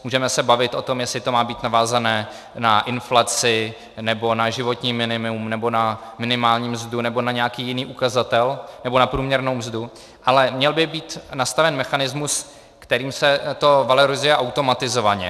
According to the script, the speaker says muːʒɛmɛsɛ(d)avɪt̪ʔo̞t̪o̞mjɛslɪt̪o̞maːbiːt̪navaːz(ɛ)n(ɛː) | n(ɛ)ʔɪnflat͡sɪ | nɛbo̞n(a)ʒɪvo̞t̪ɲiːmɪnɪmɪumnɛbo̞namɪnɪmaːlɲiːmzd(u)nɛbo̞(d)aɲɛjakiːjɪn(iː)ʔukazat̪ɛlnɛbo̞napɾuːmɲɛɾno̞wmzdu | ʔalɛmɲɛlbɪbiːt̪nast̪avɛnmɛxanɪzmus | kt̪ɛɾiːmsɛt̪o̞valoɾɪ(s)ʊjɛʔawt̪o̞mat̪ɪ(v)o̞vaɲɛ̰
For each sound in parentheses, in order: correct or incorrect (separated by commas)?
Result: incorrect, incorrect, correct, incorrect, correct, correct, incorrect, correct, incorrect, incorrect